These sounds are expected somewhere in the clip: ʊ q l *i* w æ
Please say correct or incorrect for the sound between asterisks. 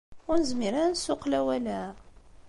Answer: incorrect